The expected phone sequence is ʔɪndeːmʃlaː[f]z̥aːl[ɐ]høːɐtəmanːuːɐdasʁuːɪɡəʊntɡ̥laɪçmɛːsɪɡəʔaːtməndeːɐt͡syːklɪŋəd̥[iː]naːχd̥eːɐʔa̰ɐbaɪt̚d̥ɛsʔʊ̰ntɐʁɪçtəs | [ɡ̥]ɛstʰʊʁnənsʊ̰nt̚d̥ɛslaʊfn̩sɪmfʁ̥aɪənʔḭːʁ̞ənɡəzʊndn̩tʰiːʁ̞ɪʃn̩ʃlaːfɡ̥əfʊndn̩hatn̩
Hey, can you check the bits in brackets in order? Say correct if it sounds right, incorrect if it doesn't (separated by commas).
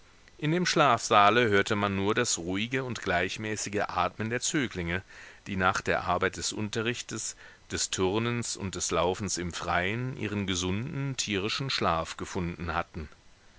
correct, incorrect, correct, incorrect